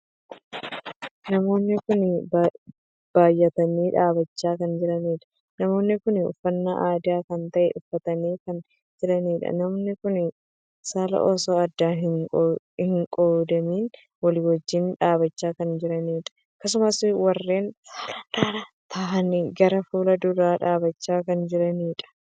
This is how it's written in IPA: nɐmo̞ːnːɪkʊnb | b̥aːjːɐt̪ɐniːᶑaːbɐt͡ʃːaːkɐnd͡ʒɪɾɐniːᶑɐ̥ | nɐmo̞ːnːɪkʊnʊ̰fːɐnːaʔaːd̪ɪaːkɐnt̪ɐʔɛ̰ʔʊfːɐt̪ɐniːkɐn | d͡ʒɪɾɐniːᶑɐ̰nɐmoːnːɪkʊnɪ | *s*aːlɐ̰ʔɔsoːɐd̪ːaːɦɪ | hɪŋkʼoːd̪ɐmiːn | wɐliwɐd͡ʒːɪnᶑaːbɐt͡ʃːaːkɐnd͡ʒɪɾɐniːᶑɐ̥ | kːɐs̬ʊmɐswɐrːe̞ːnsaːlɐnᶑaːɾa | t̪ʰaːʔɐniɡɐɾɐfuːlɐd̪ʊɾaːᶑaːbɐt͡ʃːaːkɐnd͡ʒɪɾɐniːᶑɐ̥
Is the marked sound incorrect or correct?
correct